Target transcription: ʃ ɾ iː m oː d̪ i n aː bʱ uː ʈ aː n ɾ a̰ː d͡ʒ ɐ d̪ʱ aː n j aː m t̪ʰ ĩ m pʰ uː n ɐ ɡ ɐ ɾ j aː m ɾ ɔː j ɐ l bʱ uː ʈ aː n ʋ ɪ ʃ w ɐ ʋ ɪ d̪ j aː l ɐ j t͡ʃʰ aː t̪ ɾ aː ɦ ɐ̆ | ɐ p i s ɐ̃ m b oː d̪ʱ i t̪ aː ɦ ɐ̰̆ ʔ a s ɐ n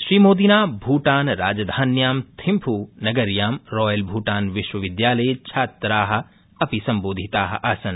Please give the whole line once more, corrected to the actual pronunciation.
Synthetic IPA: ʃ ɾ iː m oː d̪ i n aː bʱ uː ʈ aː n ɾ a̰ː d͡ʒ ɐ d̪ʱ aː n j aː m t̪ʰ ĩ m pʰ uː n ɐ ɡ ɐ ɾ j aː m ɾ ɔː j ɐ l bʱ uː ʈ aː n ʋ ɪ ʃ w ɐ ʋ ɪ d̪ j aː l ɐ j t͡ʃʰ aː t̪ ɾ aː ɦ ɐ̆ | ɐ p i s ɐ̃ m b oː d̪ʱ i t̪ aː ɦ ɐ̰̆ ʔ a s ɐ n

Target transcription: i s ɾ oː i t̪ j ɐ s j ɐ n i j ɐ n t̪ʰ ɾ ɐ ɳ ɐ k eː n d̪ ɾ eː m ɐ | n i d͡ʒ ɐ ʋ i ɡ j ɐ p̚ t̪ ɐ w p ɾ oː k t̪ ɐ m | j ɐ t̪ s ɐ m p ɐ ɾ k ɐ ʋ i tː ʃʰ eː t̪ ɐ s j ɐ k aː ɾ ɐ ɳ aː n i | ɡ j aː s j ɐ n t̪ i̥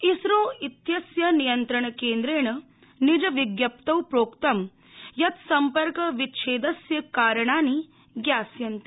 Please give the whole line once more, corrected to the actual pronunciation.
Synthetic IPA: i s ɾ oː i t̪ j ɐ s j ɐ n i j ɐ n t̪ ɾ ɐ ɳ ɐ k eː n d̪ ɾ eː ɳ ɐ | n i d͡ʒ ɐ ʋ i ɡ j ɐ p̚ t̪ ɐ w p ɾ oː k t̪ ɐ m | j ɐ t̪ s ɐ m p ɐ ɾ k ɐ ʋ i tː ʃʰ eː d̪ ɐ s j ɐ k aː ɾ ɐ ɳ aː n i | ɡ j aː s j ɐ n t̪ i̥

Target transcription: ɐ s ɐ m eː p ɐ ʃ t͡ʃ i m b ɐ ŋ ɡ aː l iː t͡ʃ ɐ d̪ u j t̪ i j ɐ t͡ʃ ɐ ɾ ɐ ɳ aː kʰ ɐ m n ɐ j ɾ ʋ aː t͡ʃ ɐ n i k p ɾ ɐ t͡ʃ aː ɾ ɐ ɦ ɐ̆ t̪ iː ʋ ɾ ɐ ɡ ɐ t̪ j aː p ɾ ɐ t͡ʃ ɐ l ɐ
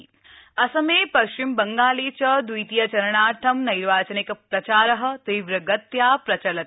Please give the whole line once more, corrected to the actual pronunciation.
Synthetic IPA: ɐ s ɐ m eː p ɐ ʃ t͡ʃ i m b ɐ ŋ ɡ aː l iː t͡ʃ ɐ d̪ u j t̪ i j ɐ t͡ʃ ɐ ɾ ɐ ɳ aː ʈʰ ɐ m n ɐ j ɾ ʋ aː t͡ʃ ɐ n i k p ɾ ɐ t͡ʃ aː ɾ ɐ ɦ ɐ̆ t̪ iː ʋ ɾ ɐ ɡ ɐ t̪ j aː p ɾ ɐ t͡ʃ ɐ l ɐ

